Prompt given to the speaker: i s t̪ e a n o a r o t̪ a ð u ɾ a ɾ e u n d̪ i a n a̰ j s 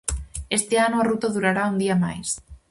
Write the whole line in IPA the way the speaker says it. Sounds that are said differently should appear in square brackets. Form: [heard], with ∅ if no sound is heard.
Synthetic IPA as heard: [e] s t̪ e a n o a r [u] t̪ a ð u ɾ a ɾ [a] u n d̪ i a [m] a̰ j s

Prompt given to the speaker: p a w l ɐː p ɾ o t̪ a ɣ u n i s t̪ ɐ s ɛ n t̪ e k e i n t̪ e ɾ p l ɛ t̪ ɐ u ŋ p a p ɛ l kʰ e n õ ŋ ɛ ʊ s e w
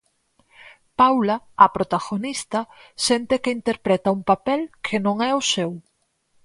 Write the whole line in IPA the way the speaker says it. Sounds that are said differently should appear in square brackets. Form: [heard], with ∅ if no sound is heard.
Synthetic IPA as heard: p a w l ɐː p ɾ o t̪ a ɣ [o] n i s t̪ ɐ s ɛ n t̪ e k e i n t̪ e ɾ p [ɾ] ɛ t̪ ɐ u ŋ p a p ɛ l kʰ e n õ ŋ ɛ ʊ s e w

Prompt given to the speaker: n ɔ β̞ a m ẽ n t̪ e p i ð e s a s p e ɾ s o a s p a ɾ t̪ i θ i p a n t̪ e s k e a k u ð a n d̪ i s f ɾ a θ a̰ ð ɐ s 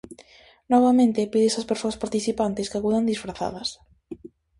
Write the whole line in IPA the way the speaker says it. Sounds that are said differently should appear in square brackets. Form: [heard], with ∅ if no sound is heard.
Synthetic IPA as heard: n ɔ β̞ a m ẽ n t̪ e p i ð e s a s p e ɾ s o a s p a ɾ t̪ i θ i p a n t̪ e s k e a k u ð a n d̪ i s f ɾ a θ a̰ ð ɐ s

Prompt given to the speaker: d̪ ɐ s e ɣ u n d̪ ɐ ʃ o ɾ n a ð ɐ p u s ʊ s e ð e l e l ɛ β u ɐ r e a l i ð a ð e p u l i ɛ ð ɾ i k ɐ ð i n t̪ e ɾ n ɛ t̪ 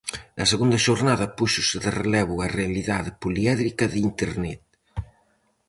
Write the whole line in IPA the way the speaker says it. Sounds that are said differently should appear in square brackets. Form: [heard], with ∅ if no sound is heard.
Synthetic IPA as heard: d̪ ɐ s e ɣ u n d̪ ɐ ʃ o ɾ n a ð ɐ p u [ʃ] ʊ s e ð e [r] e l ɛ β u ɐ r e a l i ð a ð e p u l i ɛ ð ɾ i k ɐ ð i n t̪ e ɾ n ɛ t̪

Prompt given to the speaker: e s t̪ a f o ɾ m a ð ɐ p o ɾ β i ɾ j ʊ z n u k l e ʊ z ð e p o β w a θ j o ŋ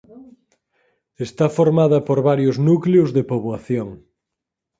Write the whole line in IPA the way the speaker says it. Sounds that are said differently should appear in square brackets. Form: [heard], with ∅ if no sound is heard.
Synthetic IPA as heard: e s t̪ a f o ɾ m a ð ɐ p o ɾ β [a] ɾ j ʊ z n u k l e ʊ z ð e p o β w a θ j o ŋ

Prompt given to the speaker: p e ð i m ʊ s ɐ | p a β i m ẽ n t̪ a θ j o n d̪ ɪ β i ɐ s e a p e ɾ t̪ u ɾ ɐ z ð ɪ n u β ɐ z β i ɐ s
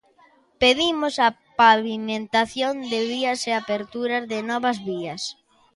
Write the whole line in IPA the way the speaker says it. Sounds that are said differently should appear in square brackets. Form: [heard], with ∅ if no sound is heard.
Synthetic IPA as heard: p e ð i m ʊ s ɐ | p a β i m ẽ n t̪ a θ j o n d̪ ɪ β i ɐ s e a p e ɾ t̪ u ɾ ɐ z ð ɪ n [ɔ] β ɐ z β i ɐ s

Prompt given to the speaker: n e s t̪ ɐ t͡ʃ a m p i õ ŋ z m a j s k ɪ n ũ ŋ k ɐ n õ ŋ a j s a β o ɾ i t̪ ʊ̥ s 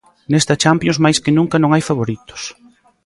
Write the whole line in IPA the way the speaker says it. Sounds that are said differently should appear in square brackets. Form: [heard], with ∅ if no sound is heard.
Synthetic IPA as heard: n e s t̪ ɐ t͡ʃ a m p [j] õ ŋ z m a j s k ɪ n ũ ŋ k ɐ n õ ŋ a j [f] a β o ɾ i t̪ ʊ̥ s

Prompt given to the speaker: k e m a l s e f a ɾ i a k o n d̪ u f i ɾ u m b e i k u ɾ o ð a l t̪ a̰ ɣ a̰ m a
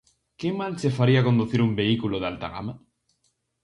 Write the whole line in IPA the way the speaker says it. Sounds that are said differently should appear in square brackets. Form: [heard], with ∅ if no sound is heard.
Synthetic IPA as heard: k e m a l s e f a ɾ i a k o n d̪ u [θ] i ɾ u m b e i k u [l] o ð a l t̪ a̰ ɣ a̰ m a

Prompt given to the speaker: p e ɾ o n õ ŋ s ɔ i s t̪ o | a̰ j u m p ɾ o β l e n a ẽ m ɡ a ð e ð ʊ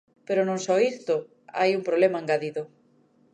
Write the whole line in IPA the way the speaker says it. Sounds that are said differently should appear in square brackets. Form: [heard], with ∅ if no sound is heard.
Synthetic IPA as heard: p e ɾ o n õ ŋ s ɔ i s t̪ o | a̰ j u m p ɾ o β l e [m] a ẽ [ŋ] ɡ a ð [i] ð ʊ

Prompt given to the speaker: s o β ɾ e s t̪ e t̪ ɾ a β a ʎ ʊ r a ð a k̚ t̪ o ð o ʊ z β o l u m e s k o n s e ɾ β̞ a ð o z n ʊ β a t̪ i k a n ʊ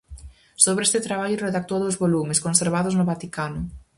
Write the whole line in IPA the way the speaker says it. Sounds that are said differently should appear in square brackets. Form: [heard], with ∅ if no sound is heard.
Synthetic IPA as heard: s o β ɾ e s t̪ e t̪ ɾ a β a ʎ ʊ r [e] ð a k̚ t̪ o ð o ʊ z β o l u m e s k o n s e ɾ β̞ a ð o z n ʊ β a t̪ i k a n ʊ

